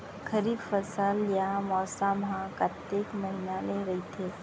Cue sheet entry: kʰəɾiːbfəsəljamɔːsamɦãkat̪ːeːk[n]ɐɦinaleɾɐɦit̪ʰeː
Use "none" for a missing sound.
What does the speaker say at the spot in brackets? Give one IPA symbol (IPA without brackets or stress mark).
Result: m